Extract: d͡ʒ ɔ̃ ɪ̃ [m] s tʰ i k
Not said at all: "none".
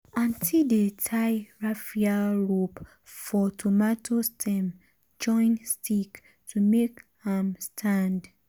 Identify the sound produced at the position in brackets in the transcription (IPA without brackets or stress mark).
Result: n